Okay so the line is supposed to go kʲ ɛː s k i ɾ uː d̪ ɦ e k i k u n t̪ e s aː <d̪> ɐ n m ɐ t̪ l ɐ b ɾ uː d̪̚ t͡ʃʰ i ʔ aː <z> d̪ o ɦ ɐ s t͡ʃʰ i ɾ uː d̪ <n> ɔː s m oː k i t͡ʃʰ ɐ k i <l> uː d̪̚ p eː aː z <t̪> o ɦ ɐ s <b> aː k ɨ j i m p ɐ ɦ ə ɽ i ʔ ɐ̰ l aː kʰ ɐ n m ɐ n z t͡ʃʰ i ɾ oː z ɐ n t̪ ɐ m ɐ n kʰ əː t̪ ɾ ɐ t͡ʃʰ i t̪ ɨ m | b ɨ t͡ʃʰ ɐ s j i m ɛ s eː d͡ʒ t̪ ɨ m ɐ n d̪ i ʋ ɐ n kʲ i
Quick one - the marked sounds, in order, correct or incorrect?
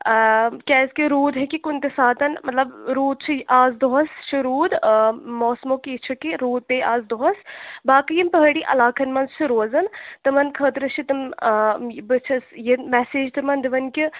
incorrect, correct, incorrect, incorrect, incorrect, correct

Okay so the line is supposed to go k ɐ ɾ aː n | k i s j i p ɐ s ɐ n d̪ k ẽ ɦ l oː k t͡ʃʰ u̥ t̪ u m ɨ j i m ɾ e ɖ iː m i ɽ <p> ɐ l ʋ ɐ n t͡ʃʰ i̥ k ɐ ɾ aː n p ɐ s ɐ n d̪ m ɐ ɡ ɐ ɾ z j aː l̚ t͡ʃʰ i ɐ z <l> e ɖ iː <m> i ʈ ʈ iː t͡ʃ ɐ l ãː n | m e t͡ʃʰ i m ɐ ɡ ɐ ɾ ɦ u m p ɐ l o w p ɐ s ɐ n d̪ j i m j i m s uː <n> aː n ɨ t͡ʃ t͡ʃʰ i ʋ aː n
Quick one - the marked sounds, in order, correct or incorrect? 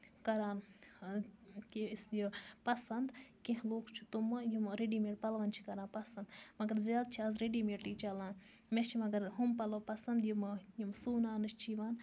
correct, incorrect, correct, correct

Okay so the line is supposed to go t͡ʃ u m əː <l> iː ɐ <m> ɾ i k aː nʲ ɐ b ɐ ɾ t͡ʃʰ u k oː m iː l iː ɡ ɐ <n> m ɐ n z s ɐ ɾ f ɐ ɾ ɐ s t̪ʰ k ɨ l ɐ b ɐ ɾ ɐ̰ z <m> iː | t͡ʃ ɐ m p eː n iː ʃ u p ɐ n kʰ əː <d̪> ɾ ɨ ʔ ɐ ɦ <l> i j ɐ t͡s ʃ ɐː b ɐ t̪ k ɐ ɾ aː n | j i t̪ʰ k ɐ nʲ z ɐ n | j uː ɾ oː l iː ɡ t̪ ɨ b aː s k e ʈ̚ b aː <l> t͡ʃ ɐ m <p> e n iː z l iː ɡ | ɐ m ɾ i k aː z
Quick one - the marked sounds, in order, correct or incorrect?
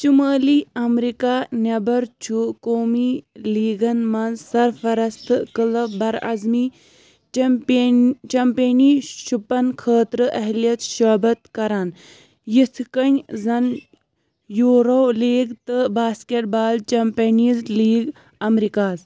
correct, correct, correct, correct, incorrect, correct, correct, correct

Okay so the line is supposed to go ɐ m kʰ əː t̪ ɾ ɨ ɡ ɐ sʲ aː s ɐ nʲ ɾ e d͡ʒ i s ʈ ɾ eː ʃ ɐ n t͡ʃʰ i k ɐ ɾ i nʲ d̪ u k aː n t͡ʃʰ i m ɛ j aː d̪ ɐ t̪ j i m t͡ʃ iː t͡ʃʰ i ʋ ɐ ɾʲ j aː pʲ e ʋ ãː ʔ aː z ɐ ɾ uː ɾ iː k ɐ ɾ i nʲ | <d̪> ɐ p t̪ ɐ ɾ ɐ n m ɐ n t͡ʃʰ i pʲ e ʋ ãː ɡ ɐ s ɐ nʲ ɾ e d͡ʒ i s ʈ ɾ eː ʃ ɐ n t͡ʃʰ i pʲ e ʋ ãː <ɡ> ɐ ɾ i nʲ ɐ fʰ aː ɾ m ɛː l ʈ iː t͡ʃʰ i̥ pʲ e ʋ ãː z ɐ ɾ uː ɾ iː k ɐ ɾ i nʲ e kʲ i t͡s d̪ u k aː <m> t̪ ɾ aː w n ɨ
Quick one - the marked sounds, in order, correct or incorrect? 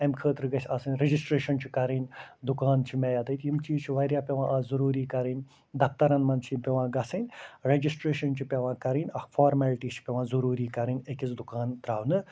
correct, incorrect, incorrect

